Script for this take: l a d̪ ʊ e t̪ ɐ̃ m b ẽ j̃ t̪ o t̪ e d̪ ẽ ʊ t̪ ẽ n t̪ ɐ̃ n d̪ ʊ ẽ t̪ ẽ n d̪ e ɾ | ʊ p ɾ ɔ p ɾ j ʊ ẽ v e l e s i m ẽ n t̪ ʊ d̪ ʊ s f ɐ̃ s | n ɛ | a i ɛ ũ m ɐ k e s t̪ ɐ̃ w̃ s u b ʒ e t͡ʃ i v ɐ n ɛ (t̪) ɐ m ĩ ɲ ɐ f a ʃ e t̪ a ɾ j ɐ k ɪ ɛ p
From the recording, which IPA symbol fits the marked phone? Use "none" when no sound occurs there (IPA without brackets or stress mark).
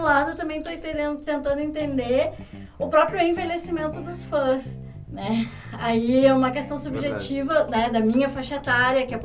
d̪